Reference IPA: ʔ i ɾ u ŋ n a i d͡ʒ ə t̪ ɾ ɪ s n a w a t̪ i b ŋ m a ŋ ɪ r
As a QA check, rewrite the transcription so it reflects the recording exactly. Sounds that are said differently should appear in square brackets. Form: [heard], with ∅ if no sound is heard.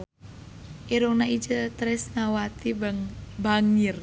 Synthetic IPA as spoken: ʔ i ɾ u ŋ n a i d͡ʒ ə t̪ ɾ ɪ s n a w a t̪ i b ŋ [b] a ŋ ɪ r